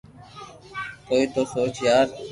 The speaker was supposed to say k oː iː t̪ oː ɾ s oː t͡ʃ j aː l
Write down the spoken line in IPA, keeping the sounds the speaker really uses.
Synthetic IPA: k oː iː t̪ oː s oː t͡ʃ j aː ɾ